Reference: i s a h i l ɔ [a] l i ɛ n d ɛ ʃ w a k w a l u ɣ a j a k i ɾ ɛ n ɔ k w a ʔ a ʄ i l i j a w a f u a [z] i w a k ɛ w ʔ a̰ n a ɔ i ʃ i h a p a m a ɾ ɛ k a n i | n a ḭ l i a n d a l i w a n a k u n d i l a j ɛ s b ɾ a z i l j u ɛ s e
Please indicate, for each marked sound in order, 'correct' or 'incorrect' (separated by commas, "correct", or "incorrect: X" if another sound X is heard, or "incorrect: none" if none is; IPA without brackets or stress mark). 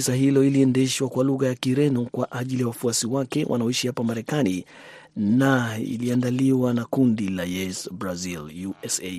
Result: incorrect: i, incorrect: s